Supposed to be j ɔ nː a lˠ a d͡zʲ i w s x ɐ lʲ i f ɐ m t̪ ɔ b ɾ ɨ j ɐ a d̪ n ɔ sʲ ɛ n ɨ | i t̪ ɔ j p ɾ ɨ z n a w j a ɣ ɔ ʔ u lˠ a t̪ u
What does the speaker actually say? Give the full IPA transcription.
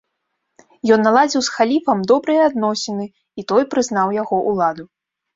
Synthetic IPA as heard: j ɔ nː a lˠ a d͡zʲ i w s x a lʲ i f ɐ m d̪ ɔ b ɾ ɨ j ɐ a d̪ n ɔ sʲ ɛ n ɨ | i t̪ ɔ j p ɾ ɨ z n a w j a ɣ ɔ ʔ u lˠ a d̪ u